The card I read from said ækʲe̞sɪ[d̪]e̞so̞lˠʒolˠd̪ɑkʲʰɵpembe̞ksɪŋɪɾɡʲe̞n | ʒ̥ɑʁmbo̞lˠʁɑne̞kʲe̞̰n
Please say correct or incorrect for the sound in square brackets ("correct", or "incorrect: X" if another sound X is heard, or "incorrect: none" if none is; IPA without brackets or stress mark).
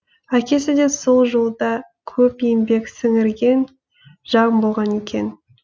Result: correct